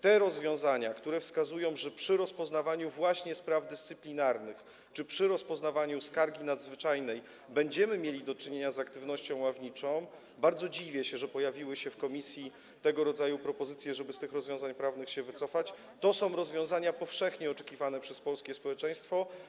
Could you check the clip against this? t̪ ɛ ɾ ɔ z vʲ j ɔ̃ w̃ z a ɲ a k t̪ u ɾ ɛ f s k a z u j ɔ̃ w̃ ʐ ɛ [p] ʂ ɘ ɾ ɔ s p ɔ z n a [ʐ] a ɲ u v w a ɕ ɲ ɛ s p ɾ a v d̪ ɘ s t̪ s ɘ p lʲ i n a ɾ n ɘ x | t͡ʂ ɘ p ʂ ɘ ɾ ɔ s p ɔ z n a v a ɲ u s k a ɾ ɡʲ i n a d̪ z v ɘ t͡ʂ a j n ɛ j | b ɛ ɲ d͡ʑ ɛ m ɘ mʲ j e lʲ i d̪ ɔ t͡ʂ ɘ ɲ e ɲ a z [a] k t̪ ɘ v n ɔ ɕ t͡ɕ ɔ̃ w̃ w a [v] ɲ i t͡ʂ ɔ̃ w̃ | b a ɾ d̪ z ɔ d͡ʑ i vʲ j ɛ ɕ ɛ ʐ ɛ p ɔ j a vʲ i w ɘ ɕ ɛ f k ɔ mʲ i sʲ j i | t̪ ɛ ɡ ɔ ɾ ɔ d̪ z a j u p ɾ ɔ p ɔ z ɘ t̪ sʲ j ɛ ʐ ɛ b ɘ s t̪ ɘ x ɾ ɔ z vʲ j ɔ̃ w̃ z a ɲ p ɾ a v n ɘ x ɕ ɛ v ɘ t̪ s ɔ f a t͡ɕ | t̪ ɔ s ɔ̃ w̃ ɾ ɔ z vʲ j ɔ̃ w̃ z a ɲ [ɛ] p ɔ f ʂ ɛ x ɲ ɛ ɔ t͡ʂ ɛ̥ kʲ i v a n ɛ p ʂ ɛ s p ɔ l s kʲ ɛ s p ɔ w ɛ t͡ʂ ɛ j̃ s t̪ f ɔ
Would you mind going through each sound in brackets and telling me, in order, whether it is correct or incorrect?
correct, incorrect: v, correct, correct, incorrect: a

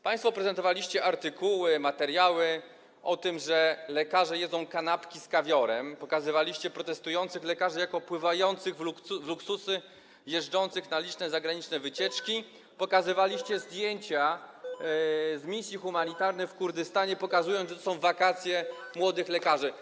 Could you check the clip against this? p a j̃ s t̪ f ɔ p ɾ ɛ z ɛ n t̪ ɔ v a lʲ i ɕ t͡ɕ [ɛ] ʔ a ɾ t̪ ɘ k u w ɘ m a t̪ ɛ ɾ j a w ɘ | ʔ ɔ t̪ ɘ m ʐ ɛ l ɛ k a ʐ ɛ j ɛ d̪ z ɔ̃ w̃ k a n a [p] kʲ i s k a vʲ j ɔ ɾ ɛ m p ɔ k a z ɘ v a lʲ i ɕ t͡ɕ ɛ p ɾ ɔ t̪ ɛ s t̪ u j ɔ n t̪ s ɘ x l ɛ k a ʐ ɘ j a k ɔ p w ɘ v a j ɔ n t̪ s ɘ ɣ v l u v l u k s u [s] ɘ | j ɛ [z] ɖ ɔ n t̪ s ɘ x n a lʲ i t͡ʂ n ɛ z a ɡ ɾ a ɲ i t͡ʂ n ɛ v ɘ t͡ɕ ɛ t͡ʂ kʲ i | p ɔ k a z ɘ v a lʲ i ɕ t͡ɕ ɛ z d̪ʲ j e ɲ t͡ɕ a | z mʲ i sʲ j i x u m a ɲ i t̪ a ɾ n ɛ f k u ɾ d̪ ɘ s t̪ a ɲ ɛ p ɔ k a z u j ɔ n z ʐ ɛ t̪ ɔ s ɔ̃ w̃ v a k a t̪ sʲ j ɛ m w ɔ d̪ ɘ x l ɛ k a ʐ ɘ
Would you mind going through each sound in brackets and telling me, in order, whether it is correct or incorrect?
correct, correct, correct, incorrect: ʐ

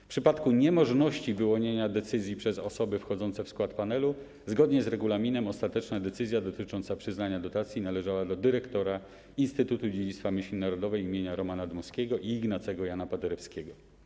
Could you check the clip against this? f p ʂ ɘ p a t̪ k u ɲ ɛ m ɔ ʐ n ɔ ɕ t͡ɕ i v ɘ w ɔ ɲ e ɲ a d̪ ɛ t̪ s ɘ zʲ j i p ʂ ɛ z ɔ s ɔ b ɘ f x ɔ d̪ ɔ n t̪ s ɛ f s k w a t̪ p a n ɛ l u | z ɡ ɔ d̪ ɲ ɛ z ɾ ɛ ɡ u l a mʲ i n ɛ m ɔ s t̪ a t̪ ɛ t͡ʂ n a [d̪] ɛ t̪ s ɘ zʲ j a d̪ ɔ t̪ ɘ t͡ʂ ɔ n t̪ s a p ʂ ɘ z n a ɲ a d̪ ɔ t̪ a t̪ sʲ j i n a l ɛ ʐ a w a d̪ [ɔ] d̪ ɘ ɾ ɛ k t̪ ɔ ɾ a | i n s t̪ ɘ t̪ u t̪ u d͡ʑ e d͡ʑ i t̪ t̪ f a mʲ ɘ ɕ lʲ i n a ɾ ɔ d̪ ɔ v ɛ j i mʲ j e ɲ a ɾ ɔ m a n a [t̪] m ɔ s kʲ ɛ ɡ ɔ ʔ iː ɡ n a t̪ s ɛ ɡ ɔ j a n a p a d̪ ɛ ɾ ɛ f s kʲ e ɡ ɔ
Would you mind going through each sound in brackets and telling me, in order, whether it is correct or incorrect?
correct, correct, incorrect: d̪

